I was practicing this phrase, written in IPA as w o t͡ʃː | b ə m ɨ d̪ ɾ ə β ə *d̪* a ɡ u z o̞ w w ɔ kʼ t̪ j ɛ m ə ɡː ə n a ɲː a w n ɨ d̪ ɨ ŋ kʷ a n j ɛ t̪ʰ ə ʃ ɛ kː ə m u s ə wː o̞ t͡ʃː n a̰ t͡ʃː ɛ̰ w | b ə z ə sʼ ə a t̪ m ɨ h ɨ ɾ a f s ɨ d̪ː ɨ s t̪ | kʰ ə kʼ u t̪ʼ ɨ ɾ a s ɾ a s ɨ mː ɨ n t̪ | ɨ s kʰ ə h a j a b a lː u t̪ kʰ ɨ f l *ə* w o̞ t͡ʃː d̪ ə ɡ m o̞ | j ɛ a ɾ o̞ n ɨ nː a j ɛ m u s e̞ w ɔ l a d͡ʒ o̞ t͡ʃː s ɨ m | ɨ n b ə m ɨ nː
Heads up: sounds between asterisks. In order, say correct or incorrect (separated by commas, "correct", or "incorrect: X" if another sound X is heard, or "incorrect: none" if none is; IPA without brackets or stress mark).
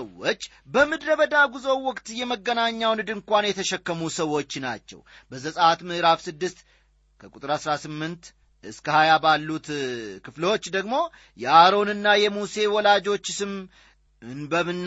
correct, correct